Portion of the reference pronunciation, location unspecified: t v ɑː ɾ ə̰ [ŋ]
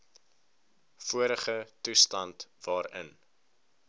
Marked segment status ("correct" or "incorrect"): incorrect